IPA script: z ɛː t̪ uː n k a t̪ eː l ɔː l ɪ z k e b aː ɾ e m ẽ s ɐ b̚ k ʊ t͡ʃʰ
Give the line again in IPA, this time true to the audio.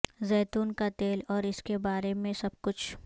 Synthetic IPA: z ɛː t̪ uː n k a t̪ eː l ɔː ɾ ɪ s k e b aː ɾ e m ẽ s ɐ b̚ k ʊ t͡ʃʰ